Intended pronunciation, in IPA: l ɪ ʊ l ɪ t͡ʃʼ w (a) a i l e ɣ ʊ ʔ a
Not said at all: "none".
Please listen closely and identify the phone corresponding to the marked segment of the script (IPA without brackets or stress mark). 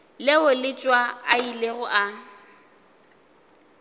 a